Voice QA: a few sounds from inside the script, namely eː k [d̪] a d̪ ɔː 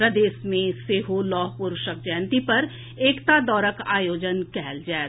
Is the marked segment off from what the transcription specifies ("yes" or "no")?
yes